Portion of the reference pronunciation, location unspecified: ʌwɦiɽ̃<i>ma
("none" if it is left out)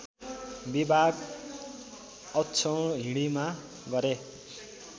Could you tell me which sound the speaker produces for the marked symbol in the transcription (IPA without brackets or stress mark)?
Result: i